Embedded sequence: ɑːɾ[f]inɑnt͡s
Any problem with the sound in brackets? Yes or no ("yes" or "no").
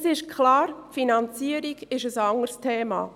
no